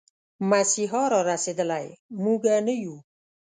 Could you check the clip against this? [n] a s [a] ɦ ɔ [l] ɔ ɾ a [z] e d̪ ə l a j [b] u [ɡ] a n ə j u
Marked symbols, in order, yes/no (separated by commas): no, no, no, no, no, yes